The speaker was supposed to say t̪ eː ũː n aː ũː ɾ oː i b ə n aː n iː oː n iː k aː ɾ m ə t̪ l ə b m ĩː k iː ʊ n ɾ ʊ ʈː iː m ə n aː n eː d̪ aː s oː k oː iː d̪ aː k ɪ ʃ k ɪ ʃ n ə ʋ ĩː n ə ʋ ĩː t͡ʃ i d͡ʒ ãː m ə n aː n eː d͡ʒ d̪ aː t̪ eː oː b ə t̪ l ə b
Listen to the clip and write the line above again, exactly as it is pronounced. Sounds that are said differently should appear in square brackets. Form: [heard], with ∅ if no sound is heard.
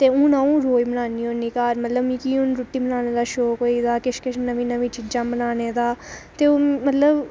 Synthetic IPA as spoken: t̪ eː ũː n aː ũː ɾ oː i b ə n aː n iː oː n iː k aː ɾ m ə t̪ l ə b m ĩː k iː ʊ n ɾ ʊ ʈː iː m ə n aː n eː d̪ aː [ʃ] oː k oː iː d̪ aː k ɪ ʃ k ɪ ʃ n ə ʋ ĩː n ə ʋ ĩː t͡ʃ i d͡ʒ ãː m ə n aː n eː [∅] d̪ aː t̪ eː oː [m] ə t̪ l ə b